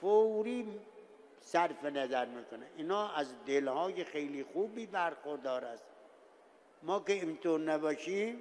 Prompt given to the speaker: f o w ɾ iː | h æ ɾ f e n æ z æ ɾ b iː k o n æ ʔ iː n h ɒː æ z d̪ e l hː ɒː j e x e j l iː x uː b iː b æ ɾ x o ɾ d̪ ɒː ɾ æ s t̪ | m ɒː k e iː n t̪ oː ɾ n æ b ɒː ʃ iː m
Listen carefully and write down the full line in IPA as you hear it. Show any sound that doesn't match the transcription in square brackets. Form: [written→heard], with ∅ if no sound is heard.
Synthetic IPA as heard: f o w ɾ iː | [h→s] æ ɾ f e n æ z æ ɾ [b→m] iː k o n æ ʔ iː n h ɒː æ z d̪ e l [hː→h] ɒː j e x e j l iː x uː b iː b æ ɾ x o ɾ d̪ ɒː ɾ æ s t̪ | m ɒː k e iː n t̪ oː ɾ n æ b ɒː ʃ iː m